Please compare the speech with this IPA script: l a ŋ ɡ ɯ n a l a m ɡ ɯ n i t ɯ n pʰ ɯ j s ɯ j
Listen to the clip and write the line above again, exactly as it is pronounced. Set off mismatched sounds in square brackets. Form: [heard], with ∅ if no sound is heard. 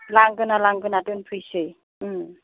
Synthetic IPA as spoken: l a ŋ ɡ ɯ n a l a [ŋ] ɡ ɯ n [a] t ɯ n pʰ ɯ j s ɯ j